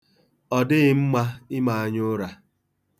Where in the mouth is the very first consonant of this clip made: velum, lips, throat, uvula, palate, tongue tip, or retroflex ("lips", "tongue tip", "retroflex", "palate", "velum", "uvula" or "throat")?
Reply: tongue tip